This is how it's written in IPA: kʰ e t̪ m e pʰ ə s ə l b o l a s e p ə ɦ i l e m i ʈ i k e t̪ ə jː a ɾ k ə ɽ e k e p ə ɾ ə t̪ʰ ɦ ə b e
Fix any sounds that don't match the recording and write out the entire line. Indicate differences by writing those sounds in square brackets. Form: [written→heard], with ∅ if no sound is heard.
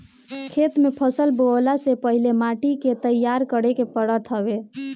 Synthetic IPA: kʰ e t̪ m e pʰ ə s ə l b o l a s e p ə ɦ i l e m [i→a] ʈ i k e t̪ ə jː a ɾ k ə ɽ e k e p ə [ɾ→ɽ] ə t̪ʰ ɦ ə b e